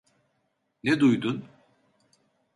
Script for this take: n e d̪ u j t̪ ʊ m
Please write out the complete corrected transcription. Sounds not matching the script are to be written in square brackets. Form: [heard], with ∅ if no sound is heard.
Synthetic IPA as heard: n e d̪ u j [d̪] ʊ [n]